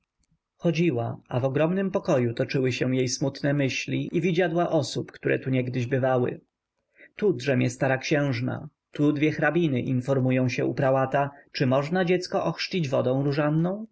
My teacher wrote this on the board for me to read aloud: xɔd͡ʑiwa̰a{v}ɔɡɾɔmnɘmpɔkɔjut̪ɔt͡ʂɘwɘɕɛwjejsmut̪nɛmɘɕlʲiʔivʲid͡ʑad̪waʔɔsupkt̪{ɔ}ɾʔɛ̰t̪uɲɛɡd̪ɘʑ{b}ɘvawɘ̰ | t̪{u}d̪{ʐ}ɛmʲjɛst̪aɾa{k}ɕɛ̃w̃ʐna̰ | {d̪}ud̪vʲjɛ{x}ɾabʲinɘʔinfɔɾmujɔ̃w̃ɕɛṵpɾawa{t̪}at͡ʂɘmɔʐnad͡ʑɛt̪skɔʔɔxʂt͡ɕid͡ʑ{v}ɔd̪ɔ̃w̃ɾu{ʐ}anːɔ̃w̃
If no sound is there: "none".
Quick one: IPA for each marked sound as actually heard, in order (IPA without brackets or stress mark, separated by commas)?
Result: v, u, b, u, ʐ, k, t̪, x, t̪, v, ʐ